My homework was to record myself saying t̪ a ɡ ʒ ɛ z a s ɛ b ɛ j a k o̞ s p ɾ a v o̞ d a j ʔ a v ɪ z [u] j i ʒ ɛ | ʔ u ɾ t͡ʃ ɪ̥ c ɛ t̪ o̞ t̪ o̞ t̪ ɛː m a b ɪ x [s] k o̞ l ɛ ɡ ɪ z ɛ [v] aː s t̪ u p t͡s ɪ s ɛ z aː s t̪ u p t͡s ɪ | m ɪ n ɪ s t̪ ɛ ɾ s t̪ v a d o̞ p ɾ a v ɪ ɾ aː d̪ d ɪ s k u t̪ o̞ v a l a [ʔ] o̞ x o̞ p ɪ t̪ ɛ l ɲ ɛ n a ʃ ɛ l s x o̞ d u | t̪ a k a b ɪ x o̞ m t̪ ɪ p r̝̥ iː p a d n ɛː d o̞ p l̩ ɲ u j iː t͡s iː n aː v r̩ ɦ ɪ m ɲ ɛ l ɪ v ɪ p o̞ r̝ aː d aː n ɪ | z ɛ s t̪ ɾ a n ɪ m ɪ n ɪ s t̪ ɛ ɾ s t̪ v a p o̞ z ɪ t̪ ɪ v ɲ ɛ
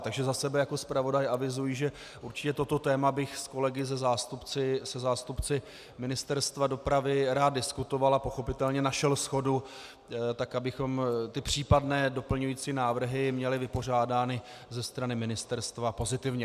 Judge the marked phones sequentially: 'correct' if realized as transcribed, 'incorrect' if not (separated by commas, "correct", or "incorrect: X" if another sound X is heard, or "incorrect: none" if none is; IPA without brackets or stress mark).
correct, correct, incorrect: z, incorrect: p